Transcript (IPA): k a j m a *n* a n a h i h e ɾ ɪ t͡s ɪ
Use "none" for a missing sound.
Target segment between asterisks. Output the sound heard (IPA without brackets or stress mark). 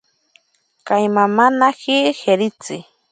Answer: m